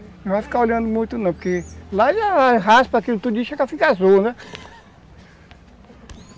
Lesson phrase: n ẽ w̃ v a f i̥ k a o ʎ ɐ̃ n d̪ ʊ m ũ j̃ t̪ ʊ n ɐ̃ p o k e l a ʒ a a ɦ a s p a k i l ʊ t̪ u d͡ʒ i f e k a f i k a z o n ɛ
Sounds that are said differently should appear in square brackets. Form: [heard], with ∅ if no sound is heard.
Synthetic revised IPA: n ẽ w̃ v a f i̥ k a o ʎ ɐ̃ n d̪ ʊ m ũ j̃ t̪ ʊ n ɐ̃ p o k e l a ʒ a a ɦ a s p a k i l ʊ t̪ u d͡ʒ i [ʃ] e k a f i k a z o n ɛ